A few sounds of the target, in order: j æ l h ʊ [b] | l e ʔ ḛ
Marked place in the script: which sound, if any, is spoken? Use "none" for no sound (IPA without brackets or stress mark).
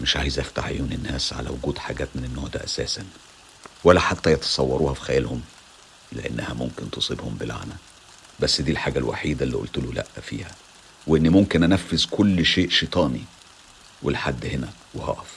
m